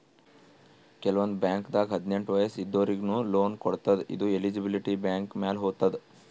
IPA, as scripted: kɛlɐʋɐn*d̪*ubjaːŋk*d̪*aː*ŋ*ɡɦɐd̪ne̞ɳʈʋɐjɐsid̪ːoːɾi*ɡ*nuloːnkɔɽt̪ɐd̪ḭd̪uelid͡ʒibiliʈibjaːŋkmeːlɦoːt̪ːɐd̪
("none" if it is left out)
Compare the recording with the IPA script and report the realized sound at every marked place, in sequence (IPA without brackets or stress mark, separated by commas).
d̪, d̪, none, ɡ